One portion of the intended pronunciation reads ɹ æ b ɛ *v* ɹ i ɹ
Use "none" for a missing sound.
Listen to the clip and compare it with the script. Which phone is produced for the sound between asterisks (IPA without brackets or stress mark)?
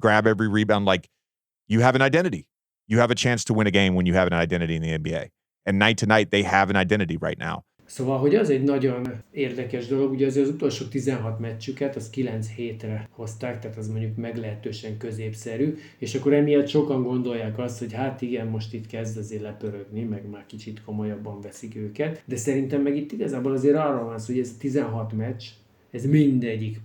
v